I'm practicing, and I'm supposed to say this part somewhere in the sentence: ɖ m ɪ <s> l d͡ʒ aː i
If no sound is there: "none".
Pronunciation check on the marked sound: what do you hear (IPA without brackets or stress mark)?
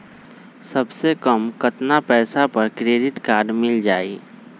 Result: none